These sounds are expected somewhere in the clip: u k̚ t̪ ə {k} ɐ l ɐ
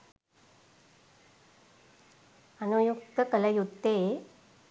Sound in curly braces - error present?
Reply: no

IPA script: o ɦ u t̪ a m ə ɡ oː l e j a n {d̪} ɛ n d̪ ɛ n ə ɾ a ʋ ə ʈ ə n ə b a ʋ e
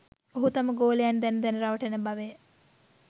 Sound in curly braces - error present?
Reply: no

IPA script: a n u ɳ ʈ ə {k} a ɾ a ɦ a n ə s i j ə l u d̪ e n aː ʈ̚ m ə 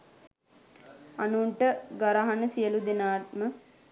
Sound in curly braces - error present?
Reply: yes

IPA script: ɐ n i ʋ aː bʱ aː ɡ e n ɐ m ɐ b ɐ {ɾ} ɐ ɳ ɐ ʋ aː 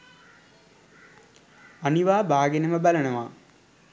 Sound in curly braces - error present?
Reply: yes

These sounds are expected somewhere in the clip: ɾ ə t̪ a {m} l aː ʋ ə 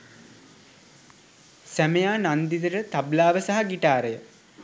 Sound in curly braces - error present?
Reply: yes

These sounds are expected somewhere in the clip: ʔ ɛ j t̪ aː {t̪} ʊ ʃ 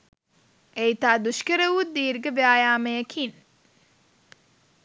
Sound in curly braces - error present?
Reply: yes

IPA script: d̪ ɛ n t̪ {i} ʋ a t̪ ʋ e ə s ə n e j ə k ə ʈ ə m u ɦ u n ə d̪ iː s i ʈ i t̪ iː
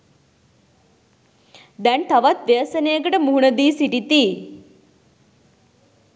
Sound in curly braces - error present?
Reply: yes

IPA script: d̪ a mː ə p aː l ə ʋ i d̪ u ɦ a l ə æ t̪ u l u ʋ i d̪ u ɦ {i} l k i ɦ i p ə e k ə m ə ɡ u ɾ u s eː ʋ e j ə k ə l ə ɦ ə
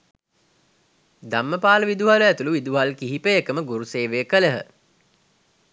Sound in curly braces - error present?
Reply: yes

